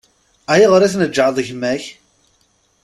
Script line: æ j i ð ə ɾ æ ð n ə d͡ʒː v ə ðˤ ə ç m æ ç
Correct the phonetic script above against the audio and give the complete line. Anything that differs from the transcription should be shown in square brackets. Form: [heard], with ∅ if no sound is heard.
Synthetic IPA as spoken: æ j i [ʁ] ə ɾ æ [θ] n ə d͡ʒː [ʕ] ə ðˤ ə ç m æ ç